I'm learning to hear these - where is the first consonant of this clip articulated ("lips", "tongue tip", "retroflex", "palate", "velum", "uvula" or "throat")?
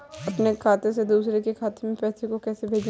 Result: lips